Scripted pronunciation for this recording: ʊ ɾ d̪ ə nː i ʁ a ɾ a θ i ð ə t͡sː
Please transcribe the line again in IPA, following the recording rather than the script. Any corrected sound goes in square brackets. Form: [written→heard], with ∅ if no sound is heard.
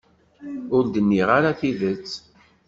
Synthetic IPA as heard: ʊ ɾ d̪ ə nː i ʁ a ɾ a θ i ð ə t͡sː